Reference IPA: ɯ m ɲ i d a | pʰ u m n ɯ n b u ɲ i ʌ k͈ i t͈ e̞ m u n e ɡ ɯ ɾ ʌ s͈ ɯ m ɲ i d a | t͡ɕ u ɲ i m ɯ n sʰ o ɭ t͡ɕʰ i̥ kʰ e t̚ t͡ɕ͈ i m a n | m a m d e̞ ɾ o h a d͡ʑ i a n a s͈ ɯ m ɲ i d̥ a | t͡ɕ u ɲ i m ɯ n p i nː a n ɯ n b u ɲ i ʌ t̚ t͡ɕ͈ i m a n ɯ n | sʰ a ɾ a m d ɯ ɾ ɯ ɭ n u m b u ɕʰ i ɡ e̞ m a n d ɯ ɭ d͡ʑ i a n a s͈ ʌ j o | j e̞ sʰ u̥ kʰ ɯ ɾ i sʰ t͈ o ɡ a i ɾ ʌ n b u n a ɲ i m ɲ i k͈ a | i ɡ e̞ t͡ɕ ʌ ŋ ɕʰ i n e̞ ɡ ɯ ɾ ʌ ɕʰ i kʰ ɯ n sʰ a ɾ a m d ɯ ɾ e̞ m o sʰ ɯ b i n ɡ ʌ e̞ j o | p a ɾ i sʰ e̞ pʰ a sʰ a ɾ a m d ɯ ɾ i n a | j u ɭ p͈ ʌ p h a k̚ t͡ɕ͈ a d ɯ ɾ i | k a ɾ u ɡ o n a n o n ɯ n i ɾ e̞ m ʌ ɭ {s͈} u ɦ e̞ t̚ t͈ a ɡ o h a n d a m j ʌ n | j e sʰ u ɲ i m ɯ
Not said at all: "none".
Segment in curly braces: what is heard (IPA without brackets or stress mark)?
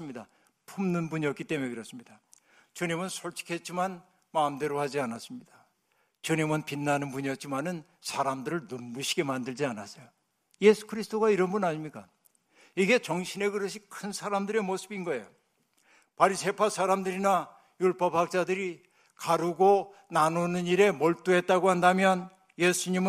t͈